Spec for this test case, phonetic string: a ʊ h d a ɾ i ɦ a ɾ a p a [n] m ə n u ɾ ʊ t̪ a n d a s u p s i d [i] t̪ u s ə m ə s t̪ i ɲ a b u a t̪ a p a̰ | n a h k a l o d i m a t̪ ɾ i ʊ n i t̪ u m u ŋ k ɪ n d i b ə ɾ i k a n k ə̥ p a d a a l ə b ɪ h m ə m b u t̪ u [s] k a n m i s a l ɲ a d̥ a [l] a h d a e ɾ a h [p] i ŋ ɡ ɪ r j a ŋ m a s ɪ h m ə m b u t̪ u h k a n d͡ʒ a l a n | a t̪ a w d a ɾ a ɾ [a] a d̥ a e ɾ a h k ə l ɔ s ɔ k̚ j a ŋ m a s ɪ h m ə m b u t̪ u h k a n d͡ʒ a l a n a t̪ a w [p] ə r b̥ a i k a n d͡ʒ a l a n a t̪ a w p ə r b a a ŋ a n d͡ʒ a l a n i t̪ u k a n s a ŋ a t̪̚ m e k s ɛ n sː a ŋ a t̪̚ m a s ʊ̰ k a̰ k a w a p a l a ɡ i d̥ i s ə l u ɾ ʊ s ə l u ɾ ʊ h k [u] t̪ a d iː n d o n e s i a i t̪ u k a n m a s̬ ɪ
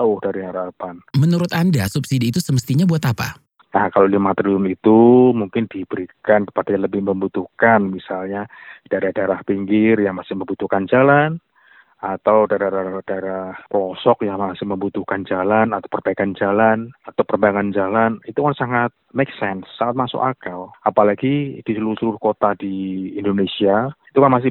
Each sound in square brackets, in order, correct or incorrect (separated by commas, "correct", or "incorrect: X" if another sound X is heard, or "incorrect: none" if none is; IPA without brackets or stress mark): correct, incorrect: iː, incorrect: h, incorrect: ɾ, correct, correct, correct, incorrect: o